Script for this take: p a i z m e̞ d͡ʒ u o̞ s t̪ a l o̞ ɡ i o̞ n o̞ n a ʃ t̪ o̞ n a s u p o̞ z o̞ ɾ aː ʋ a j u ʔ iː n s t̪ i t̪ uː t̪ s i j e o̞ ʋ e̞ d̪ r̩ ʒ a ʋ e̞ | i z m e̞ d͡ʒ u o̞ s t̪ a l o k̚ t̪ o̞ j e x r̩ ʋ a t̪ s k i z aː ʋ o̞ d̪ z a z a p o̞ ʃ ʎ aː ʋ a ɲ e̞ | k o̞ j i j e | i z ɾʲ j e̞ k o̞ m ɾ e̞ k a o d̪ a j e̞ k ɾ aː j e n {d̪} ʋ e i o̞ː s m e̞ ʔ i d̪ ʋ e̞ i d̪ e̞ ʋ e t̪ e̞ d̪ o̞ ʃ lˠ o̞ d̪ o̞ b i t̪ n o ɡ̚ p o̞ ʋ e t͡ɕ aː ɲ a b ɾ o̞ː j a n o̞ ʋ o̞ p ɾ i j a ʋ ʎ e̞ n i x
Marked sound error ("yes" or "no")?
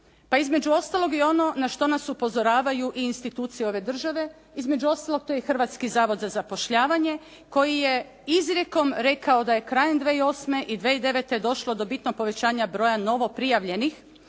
no